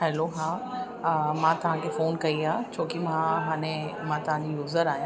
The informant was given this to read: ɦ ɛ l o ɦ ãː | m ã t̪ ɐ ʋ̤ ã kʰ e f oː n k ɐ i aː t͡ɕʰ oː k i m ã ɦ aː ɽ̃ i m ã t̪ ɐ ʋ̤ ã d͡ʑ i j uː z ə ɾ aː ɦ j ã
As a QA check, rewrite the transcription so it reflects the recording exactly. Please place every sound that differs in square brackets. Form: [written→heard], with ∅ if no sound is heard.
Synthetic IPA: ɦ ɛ l o ɦ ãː | m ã t̪ ɐ ʋ̤ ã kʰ e f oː n k ɐ i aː t͡ɕʰ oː k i m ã ɦ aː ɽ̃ [i→e] m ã t̪ ɐ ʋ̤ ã d͡ʑ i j uː z ə ɾ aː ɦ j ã